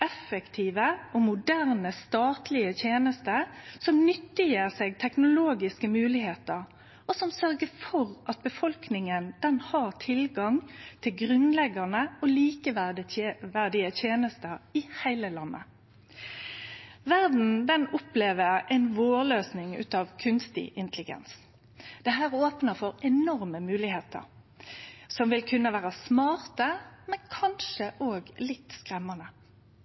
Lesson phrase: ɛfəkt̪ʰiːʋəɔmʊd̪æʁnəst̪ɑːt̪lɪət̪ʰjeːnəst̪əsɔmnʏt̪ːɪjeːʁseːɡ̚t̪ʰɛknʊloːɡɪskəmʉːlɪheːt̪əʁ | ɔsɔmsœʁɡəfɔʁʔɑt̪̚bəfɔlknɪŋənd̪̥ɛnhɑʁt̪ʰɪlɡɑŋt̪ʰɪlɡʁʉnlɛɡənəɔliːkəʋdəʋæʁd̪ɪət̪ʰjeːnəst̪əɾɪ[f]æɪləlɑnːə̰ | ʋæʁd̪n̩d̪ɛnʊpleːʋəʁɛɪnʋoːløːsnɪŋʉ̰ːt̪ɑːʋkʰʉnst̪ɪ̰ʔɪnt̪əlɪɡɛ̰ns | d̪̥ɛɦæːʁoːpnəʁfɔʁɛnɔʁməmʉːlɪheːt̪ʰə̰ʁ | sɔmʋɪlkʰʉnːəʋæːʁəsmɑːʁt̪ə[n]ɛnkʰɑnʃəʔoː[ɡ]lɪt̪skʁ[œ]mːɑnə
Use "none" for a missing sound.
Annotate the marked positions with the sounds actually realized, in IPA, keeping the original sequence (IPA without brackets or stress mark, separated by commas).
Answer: h, m, ɡ, ɛ